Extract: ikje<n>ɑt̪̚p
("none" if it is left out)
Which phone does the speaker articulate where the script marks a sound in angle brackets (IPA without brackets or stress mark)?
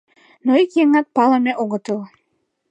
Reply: ŋ